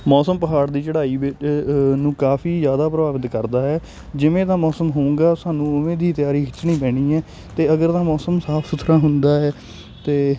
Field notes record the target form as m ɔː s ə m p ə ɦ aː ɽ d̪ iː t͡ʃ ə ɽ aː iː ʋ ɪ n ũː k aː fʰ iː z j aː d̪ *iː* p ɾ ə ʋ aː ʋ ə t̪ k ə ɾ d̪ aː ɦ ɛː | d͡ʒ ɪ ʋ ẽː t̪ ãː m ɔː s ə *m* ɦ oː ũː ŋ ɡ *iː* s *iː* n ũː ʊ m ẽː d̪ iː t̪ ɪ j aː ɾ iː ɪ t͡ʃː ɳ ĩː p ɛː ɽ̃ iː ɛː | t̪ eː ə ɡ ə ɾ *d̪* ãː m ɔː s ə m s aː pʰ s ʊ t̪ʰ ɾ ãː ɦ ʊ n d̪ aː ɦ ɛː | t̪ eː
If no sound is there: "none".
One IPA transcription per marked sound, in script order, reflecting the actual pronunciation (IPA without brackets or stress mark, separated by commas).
aː, m, aː, aː, t̪